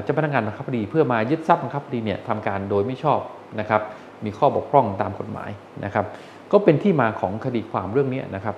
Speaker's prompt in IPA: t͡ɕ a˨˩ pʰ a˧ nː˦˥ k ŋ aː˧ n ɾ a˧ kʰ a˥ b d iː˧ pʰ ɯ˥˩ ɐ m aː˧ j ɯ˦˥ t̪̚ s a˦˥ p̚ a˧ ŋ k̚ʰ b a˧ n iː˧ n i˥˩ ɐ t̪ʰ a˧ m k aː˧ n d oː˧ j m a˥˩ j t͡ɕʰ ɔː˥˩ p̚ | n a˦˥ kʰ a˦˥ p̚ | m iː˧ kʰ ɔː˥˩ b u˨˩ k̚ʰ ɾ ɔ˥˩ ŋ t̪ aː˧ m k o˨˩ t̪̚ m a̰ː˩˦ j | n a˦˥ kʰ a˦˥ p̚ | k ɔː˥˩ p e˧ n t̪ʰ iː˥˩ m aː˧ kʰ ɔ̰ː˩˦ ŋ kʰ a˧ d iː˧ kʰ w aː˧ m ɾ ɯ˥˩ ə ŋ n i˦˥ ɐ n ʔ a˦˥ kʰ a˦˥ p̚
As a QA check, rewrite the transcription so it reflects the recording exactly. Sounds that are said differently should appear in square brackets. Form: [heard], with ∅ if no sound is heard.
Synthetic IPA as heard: t͡ɕ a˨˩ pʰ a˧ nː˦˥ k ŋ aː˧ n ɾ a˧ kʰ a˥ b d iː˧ pʰ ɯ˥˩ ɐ m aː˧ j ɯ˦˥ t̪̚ s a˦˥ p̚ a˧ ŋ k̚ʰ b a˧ [d] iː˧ n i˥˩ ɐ t̪ʰ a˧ m k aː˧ n d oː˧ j m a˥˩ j t͡ɕʰ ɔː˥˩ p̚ | n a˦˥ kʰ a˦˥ p̚ | m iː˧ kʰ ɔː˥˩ b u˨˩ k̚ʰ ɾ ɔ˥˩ ŋ t̪ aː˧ m k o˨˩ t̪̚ m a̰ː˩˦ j | n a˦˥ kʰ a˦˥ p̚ | k ɔː˥˩ p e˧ n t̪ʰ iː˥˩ m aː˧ kʰ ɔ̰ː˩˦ ŋ kʰ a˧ d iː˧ kʰ w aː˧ m ɾ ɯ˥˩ ə ŋ n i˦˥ ɐ n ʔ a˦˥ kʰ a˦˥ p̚